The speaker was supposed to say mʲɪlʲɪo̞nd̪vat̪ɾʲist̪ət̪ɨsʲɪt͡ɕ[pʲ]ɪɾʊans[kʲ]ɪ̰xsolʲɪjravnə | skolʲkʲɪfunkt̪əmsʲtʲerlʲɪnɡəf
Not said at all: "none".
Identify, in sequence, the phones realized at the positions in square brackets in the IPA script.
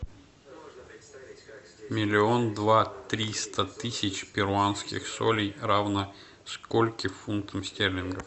pʲ, kʲ

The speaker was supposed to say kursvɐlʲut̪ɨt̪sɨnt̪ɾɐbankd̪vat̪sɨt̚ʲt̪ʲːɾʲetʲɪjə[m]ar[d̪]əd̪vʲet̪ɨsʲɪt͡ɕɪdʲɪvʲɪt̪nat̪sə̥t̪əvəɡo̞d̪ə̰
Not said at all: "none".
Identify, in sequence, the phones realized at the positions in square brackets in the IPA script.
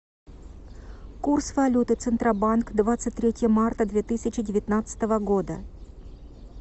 m, t̪

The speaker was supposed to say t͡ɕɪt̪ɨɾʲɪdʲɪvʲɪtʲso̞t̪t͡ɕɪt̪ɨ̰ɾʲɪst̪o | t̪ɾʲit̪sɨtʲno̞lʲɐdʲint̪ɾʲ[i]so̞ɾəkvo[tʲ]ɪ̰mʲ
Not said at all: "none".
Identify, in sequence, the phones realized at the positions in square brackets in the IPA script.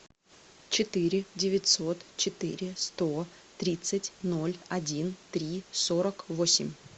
i, sʲ

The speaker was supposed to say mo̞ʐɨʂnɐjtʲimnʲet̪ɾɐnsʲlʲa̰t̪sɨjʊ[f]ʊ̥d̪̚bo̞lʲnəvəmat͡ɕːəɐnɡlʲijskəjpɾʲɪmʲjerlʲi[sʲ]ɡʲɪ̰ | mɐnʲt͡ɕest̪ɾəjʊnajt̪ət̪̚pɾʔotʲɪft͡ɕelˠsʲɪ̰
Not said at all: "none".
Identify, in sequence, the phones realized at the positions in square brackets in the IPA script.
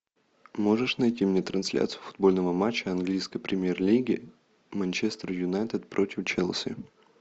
f, none

